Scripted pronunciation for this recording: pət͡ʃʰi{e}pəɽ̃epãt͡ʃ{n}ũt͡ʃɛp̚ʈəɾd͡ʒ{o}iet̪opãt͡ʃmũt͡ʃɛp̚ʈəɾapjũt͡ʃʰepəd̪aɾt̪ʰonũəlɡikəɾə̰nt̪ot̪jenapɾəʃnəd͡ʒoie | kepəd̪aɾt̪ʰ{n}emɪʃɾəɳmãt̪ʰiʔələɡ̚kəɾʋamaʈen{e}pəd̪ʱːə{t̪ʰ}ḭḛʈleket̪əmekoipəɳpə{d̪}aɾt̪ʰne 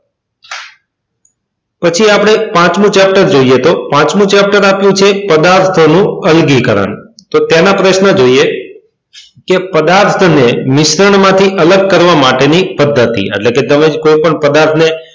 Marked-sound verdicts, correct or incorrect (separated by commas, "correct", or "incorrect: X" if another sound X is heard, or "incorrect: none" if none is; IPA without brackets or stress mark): incorrect: a, incorrect: m, correct, correct, incorrect: i, incorrect: t̪, correct